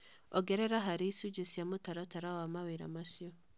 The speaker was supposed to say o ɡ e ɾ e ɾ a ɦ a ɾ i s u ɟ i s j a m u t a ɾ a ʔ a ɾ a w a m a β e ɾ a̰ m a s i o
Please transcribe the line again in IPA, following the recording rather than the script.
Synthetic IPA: o ɡ e ɾ e ɾ a ɦ a ɾ i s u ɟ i s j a m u t a ɾ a t a ɾ a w a m a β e ɾ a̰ m a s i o